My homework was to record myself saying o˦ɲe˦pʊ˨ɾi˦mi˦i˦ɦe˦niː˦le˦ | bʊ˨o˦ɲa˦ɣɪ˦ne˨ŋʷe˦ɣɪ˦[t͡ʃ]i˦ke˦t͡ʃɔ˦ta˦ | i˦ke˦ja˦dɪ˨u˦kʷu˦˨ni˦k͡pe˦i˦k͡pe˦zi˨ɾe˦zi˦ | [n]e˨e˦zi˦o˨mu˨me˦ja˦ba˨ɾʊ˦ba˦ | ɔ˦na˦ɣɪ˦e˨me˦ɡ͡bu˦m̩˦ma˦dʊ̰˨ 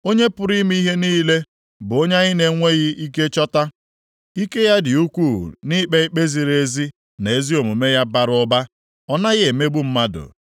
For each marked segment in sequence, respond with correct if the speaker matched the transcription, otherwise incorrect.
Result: incorrect, correct

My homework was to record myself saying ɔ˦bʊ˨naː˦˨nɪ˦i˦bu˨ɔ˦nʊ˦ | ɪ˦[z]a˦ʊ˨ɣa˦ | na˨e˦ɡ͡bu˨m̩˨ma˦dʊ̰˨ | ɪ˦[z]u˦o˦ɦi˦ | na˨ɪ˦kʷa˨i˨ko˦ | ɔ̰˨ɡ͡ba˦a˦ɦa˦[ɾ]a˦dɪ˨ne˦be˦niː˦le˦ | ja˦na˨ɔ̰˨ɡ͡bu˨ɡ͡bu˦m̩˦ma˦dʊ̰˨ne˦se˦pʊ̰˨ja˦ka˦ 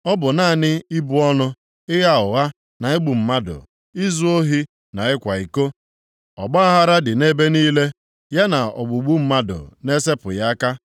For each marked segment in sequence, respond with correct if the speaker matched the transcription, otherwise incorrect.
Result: incorrect, correct, correct

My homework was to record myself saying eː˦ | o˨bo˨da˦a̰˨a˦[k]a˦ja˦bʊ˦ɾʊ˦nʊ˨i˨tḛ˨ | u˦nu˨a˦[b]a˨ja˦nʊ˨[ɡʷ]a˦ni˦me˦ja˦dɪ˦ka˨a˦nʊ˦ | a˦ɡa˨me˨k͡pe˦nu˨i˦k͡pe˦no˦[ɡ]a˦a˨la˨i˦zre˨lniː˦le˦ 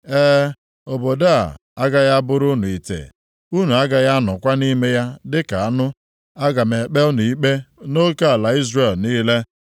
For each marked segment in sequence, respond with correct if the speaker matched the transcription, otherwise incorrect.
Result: incorrect, incorrect, incorrect, incorrect

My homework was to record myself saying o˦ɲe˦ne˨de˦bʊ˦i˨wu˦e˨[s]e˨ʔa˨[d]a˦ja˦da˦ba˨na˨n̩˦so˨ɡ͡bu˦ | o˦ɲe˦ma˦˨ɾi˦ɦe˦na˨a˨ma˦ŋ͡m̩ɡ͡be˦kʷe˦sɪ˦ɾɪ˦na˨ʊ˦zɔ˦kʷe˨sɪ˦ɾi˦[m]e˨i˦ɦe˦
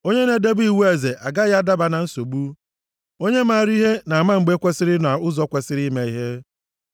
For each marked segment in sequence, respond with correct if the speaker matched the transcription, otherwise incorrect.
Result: incorrect, incorrect, correct

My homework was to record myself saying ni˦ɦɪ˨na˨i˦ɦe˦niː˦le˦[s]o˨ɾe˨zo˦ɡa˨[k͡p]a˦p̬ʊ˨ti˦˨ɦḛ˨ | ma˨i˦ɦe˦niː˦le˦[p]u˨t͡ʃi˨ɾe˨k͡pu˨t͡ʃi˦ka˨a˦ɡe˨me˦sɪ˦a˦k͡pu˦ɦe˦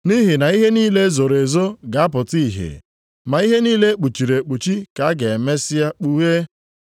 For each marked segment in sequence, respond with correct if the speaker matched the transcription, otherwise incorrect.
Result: incorrect, incorrect, incorrect

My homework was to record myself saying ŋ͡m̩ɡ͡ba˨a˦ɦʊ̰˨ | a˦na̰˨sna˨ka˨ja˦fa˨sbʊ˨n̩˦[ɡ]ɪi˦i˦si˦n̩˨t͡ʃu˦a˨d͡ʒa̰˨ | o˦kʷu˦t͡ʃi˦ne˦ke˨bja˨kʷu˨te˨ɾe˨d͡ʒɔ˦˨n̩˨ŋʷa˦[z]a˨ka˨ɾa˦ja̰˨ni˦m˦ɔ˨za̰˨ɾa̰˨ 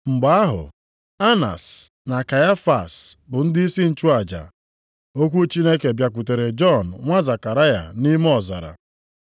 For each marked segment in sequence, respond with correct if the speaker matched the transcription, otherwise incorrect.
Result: incorrect, correct

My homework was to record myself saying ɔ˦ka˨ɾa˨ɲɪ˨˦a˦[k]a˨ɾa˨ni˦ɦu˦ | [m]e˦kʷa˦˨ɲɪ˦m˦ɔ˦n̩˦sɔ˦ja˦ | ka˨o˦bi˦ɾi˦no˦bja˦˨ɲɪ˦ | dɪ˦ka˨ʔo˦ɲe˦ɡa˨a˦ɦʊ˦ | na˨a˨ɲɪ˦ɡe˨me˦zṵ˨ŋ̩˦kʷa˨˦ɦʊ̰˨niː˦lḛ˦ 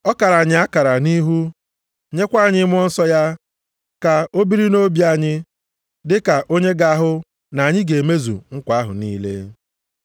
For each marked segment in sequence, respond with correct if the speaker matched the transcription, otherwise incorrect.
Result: correct, incorrect

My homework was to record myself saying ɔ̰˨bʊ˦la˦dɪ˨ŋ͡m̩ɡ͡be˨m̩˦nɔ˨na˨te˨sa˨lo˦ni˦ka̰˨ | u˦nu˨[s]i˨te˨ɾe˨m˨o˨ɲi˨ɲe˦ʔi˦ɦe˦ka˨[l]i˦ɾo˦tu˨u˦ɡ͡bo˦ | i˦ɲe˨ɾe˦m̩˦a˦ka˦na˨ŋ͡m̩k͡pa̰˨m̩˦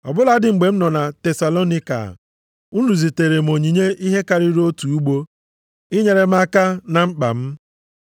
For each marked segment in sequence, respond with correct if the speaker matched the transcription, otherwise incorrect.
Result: incorrect, incorrect

